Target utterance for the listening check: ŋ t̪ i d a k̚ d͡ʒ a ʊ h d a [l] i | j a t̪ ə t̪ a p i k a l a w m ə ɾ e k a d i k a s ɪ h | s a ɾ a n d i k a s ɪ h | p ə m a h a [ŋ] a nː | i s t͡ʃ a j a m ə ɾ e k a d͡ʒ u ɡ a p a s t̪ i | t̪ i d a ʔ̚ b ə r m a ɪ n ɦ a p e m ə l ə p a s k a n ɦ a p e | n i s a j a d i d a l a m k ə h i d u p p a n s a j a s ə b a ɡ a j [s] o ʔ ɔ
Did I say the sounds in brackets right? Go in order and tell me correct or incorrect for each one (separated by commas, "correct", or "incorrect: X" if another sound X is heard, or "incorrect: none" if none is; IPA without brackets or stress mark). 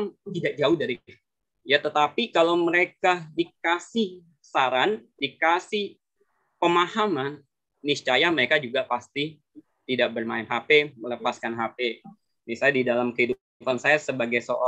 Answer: incorrect: ɾ, incorrect: m, correct